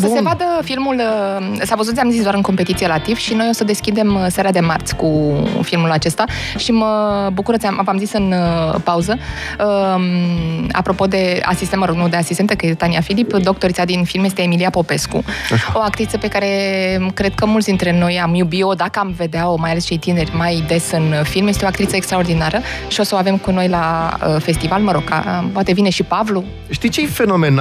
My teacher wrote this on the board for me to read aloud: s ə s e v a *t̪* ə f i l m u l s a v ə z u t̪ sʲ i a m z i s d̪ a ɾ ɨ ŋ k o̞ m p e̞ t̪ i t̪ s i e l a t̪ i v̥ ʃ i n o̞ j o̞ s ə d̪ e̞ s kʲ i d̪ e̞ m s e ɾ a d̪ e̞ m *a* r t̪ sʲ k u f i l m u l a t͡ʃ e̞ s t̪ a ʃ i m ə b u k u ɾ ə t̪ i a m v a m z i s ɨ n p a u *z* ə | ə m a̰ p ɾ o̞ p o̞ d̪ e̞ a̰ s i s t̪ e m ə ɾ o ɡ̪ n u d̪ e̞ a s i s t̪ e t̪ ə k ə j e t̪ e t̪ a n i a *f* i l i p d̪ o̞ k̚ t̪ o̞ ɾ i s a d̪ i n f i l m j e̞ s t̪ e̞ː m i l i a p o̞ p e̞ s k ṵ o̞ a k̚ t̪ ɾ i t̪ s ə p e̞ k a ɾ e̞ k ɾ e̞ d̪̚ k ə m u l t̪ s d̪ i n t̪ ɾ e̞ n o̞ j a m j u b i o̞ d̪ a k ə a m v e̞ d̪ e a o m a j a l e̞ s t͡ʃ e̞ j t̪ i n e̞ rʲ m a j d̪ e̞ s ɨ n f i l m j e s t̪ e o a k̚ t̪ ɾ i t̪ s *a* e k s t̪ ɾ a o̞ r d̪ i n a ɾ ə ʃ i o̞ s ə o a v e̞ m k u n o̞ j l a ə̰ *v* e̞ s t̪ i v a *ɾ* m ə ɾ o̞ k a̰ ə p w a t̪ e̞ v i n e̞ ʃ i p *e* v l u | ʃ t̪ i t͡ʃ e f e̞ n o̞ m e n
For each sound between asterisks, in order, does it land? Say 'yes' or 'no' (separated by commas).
no, yes, yes, yes, no, no, no, no